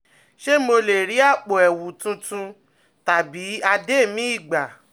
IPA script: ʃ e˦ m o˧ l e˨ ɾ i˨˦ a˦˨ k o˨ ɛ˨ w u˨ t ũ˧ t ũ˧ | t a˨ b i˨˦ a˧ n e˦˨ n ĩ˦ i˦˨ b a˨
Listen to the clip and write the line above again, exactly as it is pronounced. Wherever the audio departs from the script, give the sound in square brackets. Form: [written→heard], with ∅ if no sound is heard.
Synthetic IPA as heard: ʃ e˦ m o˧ l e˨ ɾ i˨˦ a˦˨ [k→k͡p] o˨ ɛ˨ w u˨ t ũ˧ t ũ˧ | t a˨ b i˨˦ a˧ [n→d] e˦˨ [n→m] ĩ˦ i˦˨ [b→ɡ͡b] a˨